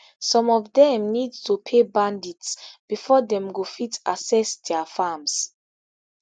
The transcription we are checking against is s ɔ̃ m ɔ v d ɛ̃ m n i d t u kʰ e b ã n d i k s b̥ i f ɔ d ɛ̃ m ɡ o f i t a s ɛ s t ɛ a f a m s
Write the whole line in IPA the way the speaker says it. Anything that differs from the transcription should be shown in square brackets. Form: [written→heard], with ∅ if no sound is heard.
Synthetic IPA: s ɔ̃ m ɔ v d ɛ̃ m n i d t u [kʰ→pʰ] e b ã n d i [k→t] s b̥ i f ɔ d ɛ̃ m ɡ o f i t a s ɛ s [t→d] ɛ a f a m s